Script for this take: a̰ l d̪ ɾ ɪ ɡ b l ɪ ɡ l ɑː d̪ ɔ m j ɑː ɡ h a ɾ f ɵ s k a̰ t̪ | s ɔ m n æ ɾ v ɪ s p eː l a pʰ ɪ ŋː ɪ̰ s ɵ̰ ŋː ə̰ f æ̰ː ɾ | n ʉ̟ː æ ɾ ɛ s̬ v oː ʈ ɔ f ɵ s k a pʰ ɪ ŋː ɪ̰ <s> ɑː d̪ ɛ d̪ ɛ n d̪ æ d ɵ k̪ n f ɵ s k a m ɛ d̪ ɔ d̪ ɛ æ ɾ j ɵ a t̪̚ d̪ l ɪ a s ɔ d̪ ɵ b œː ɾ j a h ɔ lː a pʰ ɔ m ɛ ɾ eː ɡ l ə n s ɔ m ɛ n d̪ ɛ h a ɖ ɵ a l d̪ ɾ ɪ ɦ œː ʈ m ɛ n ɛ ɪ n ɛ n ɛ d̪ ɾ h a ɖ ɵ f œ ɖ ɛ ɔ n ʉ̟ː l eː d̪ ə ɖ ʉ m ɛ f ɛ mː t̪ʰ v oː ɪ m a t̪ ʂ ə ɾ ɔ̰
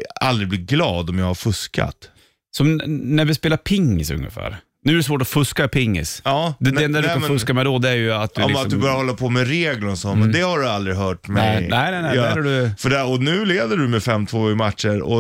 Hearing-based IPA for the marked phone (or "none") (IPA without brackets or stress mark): s